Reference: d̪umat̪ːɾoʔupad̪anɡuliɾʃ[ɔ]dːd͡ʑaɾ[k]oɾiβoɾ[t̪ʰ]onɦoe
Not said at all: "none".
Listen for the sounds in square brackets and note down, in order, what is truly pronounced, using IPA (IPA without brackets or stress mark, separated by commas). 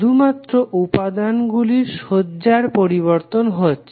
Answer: o, p, t̪